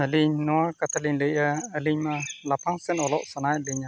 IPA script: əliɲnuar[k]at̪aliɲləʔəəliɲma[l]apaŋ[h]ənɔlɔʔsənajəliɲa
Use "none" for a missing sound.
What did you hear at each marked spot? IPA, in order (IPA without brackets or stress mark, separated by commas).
k, l, s